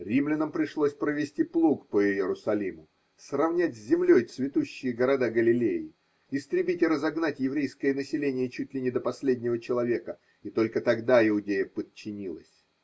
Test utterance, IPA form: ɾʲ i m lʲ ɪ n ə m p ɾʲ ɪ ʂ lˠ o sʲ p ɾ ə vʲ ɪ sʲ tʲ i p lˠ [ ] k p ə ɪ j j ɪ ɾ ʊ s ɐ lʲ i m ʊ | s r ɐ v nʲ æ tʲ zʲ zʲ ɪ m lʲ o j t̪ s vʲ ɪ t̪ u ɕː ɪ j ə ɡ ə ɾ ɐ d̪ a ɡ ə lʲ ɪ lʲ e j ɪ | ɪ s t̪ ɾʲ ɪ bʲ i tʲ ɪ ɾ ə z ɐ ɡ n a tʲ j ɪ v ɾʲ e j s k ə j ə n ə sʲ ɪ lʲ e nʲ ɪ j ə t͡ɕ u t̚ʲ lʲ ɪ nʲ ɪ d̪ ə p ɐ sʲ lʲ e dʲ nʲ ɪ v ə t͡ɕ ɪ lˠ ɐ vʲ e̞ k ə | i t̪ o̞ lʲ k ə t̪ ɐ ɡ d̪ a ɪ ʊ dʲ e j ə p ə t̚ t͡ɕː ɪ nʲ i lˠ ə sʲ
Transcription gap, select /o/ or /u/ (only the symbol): u